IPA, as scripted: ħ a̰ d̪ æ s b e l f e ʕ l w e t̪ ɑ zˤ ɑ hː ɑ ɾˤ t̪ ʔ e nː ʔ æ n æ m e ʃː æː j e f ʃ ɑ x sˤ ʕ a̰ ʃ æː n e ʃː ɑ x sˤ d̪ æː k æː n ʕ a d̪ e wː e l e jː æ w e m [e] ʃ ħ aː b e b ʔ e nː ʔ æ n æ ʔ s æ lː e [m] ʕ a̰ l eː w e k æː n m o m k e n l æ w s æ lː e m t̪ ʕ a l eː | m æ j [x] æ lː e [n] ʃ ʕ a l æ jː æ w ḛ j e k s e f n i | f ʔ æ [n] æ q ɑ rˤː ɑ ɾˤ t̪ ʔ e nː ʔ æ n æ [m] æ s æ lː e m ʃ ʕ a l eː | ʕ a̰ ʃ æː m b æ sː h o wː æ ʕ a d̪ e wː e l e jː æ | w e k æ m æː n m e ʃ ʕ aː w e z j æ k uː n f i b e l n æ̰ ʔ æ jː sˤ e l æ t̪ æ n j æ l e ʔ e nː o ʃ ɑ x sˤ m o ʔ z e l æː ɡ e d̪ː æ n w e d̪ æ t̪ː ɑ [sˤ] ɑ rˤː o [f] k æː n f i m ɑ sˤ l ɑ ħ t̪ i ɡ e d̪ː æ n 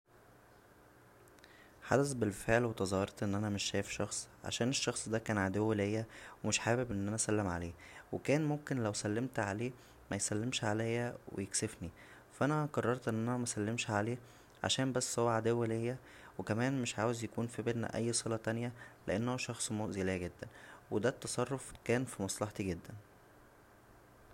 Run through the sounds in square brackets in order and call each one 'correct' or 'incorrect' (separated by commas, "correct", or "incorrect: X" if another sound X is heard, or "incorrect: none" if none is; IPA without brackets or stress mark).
correct, correct, incorrect: s, incorrect: m, correct, correct, correct, correct